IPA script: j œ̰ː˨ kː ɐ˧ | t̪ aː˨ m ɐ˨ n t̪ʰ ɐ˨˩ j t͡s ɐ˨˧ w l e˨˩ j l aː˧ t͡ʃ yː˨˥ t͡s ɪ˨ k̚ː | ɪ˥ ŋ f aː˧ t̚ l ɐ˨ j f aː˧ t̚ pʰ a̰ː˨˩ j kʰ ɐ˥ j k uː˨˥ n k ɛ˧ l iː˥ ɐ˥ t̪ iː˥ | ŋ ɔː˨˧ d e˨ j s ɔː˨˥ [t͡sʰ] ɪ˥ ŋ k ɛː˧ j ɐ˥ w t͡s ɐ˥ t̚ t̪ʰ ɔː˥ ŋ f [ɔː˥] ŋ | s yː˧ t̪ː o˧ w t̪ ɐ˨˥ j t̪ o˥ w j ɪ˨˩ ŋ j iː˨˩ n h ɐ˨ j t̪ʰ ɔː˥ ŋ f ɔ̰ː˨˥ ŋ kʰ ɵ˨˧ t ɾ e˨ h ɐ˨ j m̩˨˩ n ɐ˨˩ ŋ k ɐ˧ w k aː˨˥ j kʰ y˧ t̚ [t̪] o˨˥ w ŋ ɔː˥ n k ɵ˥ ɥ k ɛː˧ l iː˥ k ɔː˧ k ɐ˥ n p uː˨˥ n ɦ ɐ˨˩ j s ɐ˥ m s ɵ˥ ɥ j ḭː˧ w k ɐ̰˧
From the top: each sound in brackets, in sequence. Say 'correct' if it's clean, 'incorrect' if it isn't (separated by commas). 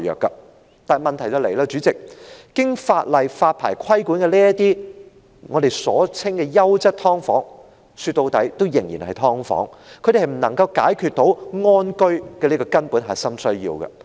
correct, incorrect, correct